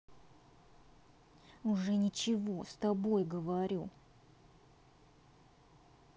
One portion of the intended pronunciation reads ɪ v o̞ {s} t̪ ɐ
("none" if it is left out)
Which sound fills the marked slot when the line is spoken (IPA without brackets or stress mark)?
s